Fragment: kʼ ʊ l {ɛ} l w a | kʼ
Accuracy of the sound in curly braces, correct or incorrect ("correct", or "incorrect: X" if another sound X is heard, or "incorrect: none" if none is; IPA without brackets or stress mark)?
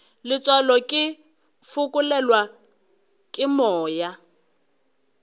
correct